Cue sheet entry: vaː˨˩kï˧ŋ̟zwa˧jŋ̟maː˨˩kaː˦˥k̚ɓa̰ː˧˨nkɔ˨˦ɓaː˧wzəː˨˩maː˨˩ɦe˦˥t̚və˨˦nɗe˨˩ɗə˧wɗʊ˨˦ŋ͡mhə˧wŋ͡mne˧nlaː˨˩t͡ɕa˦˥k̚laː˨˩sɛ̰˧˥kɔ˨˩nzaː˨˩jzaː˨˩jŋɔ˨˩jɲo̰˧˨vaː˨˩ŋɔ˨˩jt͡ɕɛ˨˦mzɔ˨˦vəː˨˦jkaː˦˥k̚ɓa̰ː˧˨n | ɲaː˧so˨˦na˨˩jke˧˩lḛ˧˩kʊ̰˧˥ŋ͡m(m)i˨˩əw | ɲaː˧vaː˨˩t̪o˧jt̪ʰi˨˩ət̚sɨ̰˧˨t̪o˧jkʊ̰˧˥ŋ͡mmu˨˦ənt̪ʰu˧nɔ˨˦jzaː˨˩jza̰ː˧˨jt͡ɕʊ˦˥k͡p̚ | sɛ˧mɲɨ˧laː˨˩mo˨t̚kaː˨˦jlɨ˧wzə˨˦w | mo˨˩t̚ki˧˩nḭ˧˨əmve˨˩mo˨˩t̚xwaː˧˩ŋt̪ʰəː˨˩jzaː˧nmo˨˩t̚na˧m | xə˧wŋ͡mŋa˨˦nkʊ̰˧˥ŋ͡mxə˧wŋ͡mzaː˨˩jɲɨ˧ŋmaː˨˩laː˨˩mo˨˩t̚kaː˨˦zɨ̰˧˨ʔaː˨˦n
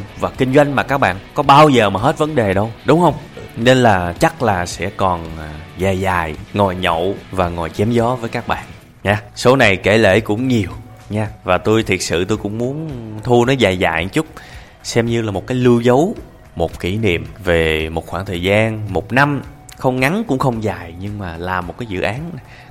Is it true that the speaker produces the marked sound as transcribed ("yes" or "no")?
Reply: no